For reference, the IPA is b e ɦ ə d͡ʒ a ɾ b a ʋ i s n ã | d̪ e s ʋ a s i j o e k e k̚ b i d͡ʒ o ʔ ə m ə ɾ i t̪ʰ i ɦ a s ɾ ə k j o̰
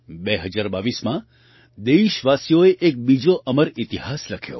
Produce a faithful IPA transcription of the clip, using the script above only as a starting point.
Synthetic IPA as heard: b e ɦ ə d͡ʒ a ɾ b a ʋ i s m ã | d̪ e ʃ ʋ a s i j o e ʔ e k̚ b i d͡ʒ o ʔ ə m ə ɾ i t̪ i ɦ a s l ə kʰ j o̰